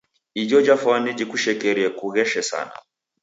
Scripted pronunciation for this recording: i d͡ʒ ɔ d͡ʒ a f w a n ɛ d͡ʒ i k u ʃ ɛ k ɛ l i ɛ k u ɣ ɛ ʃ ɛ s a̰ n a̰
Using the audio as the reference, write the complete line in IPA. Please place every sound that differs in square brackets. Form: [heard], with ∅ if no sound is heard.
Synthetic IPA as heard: i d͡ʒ ɔ d͡ʒ a f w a n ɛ d͡ʒ i k u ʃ ɛ k ɛ [ɾ] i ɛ k u ɣ ɛ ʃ ɛ s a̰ n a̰